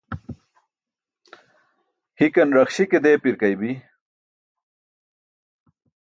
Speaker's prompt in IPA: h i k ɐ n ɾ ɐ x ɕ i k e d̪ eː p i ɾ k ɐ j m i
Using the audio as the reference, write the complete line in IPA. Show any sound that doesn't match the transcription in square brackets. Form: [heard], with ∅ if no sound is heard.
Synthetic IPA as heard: h i k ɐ n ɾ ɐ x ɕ i k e d̪ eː p i ɾ k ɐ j [b] i